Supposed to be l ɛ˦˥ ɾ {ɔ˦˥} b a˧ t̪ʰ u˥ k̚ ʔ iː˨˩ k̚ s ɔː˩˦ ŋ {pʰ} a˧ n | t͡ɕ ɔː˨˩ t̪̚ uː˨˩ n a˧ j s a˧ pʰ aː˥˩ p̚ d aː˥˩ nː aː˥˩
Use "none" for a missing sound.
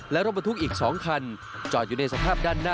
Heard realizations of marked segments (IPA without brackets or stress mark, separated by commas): o˦˥, kʰ